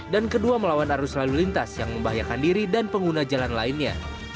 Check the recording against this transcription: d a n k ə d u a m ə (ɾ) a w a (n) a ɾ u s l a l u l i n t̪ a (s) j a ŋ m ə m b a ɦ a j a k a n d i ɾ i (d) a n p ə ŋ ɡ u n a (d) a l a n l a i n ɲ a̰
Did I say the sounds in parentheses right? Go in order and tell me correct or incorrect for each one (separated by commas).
incorrect, correct, correct, correct, incorrect